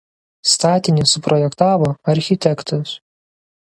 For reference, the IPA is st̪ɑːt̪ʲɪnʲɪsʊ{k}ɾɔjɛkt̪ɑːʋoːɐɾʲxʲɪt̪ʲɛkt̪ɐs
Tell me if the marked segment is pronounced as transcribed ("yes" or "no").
no